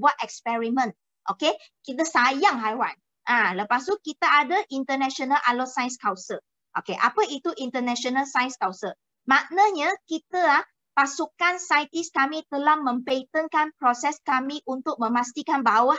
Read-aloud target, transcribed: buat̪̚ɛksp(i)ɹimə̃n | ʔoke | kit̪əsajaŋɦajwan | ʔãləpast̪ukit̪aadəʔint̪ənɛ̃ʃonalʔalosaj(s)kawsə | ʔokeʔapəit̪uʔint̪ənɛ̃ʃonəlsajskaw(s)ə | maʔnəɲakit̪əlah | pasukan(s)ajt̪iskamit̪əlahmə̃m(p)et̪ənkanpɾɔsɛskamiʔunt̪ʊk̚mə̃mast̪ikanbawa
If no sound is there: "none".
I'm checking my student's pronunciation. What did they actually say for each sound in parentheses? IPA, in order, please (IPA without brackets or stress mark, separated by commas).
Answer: ɛ, s, s, s, p